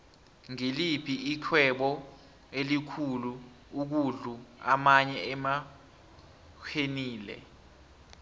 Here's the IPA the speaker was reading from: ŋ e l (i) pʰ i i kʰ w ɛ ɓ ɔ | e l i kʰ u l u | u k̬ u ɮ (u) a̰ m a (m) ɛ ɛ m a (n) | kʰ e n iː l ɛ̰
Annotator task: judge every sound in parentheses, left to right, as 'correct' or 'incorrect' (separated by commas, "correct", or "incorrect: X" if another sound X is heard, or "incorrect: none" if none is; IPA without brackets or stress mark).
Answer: correct, correct, incorrect: ɲ, incorrect: none